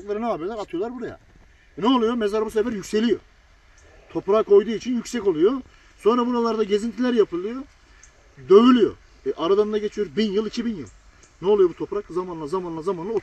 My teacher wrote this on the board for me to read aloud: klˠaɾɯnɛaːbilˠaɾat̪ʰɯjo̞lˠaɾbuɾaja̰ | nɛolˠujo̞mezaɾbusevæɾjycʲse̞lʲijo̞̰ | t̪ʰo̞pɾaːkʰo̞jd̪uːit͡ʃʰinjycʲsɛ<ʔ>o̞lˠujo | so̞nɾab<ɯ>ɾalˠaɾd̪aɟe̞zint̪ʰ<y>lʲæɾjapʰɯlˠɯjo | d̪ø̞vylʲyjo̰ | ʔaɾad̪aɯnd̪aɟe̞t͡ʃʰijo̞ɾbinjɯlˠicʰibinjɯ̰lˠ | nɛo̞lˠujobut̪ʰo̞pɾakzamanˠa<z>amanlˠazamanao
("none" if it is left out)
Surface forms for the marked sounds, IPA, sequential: c, u, i, z

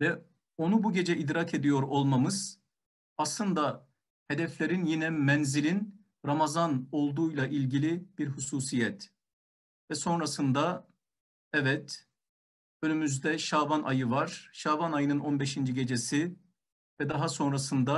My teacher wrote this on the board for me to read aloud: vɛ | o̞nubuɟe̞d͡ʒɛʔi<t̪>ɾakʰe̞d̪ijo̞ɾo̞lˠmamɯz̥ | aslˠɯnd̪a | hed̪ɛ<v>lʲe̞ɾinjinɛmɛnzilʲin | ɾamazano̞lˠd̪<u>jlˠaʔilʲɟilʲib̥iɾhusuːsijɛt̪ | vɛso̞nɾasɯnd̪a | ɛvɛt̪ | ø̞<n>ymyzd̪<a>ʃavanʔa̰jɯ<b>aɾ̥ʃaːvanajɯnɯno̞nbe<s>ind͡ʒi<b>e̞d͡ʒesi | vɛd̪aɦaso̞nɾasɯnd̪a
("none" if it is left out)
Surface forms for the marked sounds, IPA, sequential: d̪, f, uː, n, ɛ, v, ʃ, ɟ

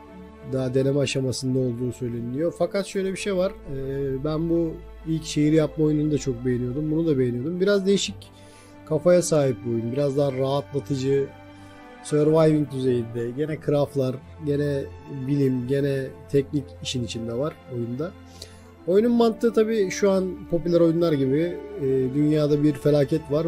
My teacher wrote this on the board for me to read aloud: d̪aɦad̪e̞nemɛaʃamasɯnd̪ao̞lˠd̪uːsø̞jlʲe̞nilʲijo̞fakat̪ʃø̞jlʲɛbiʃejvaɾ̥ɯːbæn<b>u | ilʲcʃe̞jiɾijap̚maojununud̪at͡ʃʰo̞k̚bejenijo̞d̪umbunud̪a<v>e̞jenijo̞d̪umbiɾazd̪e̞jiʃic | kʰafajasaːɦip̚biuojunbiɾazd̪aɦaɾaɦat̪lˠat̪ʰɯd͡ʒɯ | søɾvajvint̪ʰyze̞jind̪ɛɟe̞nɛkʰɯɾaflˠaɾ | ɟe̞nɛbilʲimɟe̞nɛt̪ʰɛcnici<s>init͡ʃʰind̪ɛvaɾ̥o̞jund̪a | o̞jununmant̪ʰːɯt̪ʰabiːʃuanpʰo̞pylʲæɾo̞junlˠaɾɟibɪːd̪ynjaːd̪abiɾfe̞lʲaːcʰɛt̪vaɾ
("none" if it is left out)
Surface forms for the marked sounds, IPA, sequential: b, b, ʃ

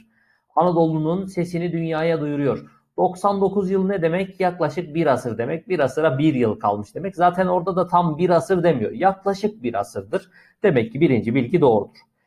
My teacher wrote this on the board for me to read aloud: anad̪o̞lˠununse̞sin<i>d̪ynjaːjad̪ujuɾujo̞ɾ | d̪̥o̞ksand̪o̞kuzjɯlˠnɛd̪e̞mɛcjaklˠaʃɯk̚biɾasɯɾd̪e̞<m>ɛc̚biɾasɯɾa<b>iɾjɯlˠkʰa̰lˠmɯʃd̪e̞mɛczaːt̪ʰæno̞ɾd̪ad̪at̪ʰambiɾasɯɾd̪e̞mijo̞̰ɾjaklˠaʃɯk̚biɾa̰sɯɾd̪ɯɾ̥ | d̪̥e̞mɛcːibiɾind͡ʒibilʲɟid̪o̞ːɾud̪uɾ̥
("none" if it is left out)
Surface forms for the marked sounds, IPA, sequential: i, m, b

